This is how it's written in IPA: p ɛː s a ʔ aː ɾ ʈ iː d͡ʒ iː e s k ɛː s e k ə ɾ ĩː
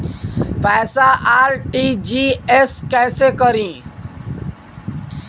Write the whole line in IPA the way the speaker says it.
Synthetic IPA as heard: p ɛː s a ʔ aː ɾ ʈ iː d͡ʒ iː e s k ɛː s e k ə ɾ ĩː